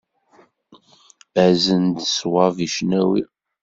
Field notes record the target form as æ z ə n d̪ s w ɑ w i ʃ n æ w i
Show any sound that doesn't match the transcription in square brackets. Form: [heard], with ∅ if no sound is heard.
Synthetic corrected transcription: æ z ə n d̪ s w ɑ [v] i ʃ n æ w i